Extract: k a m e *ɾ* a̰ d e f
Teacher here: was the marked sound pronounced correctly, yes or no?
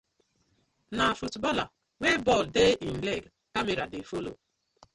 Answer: yes